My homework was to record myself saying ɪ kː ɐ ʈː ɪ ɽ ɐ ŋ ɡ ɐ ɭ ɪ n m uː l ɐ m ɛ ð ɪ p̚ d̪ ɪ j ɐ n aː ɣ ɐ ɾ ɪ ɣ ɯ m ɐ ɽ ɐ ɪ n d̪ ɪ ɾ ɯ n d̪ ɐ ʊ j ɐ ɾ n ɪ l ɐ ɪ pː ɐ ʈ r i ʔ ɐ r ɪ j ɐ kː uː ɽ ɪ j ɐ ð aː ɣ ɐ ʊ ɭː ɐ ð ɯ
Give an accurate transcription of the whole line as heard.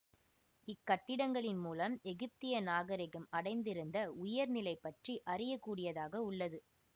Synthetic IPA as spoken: ɪ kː ɐ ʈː ɪ ɽ ɐ ŋ ɡ ɐ ɭ ɪ n m uː l ɐ m ɛ ɣ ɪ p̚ t̪ ɪ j ɐ n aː ɣ ɐ ɾ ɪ ɣ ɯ m ɐ ɽ ɐ ɪ n d̪ ɪ ɾ ɯ n d̪ ɐ ʊ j ɐ ɾ n ɪ l ɐ ɪ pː ɐ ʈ r i ʔ ɐ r ɪ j ɐ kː uː ɽ ɪ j ɐ ð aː ɣ ɐ ʊ ɭː ɐ ð ɯ